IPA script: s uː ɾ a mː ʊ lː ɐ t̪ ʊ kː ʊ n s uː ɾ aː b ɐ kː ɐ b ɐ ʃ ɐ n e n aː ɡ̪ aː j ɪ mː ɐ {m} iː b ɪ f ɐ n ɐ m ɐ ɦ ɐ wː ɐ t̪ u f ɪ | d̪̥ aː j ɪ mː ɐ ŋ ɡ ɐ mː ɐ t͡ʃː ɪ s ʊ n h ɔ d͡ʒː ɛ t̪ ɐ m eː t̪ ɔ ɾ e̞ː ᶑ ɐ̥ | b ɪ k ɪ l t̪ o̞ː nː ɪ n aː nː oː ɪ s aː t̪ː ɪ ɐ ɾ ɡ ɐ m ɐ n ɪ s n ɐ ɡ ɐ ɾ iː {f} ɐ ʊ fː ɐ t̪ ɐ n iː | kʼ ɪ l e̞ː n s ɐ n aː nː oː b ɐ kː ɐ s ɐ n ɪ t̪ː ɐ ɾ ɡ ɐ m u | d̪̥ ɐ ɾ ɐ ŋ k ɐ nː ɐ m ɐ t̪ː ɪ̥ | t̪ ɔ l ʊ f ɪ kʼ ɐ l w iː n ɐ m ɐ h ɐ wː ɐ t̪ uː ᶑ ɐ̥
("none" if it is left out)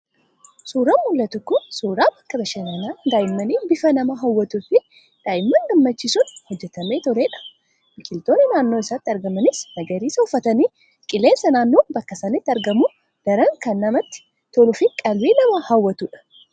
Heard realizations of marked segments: n, s

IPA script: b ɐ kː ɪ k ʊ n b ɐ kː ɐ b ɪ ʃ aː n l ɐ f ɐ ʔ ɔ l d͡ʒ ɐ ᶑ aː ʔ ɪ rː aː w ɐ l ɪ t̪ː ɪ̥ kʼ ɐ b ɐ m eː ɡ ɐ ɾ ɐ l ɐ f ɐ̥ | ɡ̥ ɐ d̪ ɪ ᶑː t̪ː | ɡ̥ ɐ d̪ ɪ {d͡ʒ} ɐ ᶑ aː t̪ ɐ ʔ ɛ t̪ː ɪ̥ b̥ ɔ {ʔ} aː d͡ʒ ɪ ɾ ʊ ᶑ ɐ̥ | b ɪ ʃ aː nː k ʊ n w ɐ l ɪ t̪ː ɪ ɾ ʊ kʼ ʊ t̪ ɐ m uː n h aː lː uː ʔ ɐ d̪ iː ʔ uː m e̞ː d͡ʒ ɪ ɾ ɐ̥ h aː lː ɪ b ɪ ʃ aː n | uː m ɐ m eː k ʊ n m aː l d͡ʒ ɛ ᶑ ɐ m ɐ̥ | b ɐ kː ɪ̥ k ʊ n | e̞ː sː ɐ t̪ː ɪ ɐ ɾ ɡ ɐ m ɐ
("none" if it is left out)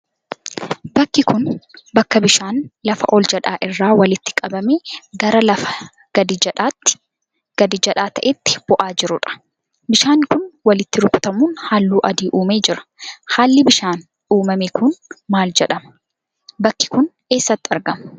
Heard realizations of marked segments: d͡ʒ, ʔ

